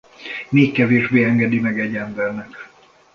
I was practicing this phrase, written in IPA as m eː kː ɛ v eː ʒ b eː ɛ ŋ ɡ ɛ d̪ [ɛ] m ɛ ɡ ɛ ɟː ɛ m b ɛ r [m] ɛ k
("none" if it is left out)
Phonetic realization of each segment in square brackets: i, n

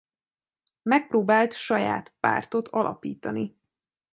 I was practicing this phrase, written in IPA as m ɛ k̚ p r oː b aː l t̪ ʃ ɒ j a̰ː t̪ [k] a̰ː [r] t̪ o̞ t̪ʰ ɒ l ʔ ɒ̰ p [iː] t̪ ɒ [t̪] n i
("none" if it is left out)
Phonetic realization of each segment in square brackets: p, r, iː, none

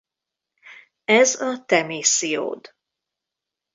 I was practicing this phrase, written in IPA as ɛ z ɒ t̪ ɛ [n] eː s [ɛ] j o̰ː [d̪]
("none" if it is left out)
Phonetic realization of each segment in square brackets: m, i, d̪

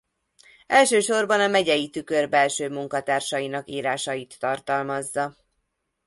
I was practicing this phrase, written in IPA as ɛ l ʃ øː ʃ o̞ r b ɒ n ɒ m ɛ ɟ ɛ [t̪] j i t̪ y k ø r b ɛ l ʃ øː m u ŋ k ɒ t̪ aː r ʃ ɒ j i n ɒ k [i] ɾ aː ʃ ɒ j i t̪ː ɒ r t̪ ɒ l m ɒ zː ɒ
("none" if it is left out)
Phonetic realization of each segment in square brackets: none, iː

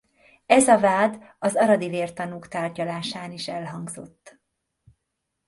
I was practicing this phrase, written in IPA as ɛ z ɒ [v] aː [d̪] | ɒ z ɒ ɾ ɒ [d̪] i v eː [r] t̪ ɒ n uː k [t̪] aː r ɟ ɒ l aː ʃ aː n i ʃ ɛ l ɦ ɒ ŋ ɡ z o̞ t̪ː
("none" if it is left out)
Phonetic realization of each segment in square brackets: v, d̪, d̪, r, t̪

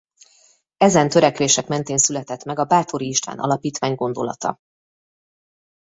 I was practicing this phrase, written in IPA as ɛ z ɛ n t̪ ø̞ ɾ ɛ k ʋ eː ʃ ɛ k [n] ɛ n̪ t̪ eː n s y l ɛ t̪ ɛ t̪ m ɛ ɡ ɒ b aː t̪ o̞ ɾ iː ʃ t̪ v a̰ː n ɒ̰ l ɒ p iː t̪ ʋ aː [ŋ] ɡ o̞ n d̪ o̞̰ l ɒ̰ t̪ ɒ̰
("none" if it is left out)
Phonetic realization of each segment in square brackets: m, ɲ

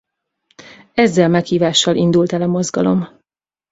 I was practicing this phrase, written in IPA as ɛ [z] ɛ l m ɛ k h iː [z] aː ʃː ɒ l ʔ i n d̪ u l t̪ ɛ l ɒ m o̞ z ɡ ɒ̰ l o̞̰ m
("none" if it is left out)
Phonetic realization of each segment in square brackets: zː, v

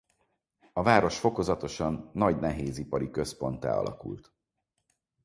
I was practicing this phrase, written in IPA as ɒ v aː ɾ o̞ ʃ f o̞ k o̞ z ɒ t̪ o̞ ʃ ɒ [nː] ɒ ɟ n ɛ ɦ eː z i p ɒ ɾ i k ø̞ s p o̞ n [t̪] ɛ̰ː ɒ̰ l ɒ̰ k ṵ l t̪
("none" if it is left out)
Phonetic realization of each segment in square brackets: nː, t̪

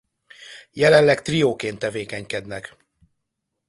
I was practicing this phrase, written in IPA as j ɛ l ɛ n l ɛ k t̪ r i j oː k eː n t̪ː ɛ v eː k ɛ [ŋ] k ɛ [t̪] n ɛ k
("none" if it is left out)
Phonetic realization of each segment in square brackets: ɲ, d̪

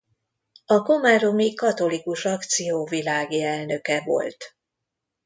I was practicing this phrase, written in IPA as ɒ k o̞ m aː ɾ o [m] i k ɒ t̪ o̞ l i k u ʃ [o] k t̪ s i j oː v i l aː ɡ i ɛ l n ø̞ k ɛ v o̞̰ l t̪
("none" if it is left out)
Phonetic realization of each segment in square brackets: m, ɒ

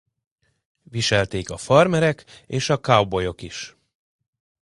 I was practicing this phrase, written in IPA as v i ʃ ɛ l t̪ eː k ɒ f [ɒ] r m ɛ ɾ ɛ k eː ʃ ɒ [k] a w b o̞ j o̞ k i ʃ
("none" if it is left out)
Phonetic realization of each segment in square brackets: ɒ, k

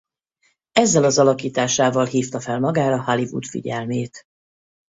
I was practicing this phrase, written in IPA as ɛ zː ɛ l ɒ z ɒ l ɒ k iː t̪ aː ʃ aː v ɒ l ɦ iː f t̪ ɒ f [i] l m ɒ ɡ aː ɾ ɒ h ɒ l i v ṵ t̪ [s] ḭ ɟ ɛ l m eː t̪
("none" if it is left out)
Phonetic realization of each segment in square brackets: ɛ, f

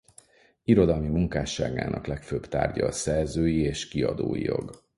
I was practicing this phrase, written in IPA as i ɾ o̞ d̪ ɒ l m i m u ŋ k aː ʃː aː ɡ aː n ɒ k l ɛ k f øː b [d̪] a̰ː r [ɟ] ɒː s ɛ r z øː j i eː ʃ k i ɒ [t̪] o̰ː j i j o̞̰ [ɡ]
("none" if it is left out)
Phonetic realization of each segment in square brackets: t̪, ɟ, d̪, ɡ

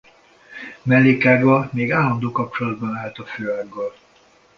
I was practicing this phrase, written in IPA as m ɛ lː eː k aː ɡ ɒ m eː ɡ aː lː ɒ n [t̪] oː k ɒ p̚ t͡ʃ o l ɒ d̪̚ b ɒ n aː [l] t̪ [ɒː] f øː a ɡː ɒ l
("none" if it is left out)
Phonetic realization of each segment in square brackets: d̪, l, ɒ

